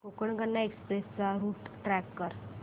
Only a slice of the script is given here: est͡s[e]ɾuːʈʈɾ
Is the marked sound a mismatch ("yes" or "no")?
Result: yes